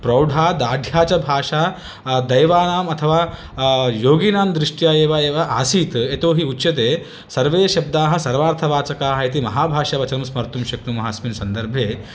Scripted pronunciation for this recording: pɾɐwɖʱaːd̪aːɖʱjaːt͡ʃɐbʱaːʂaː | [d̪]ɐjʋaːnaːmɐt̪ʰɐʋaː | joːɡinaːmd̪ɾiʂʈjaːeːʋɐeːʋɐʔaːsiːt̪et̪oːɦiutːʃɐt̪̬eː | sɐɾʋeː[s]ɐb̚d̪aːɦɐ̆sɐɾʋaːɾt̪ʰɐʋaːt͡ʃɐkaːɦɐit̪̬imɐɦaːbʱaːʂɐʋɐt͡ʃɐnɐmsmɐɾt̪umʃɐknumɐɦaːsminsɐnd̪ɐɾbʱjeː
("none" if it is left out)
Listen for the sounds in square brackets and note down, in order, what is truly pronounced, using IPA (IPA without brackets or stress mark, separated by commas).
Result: d̪, ʃ